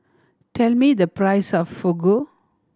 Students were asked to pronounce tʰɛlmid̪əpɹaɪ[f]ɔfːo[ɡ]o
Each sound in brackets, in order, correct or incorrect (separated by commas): incorrect, correct